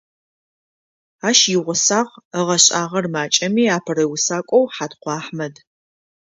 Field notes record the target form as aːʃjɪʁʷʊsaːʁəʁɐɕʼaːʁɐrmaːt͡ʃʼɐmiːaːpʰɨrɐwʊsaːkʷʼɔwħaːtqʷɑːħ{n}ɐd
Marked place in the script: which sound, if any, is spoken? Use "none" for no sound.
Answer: m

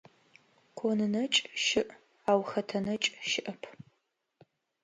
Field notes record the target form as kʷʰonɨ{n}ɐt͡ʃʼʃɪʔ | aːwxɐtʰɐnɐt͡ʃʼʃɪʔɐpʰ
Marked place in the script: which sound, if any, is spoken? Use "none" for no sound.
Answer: n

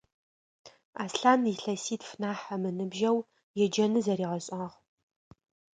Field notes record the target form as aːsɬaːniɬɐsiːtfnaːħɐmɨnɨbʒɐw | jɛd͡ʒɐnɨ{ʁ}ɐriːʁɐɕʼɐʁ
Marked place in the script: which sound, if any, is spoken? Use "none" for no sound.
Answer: z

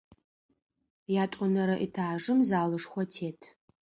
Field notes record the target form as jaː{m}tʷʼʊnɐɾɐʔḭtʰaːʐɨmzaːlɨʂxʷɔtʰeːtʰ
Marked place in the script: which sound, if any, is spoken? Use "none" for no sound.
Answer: none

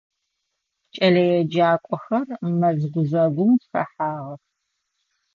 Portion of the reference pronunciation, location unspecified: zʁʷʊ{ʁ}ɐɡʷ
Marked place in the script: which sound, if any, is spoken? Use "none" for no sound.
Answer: z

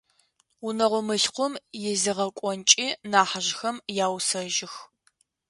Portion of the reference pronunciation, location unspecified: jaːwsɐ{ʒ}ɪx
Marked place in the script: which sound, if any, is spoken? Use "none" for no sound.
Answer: ʒ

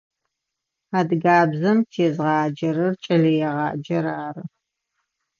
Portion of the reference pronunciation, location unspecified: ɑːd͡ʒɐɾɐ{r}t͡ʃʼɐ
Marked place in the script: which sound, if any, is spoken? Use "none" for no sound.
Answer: r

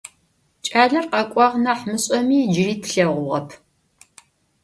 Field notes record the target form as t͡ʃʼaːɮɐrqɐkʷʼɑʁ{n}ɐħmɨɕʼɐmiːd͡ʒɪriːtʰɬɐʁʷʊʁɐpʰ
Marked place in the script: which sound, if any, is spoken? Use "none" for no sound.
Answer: n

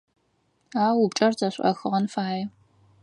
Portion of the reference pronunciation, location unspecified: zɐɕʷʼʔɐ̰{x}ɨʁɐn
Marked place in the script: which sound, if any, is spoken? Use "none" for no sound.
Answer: x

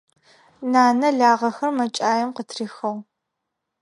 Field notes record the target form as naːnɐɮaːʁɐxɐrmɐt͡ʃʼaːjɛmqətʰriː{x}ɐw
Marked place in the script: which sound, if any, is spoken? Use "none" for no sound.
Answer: x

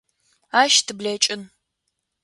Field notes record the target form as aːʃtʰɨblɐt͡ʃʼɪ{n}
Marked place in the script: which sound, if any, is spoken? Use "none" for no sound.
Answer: n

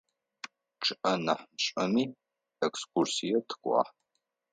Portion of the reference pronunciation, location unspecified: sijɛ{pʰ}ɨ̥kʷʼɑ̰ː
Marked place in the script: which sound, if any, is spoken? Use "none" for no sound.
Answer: tʰ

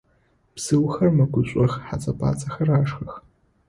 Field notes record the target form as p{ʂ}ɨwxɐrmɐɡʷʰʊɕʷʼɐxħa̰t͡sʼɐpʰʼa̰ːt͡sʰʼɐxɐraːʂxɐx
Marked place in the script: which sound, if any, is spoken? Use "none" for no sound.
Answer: s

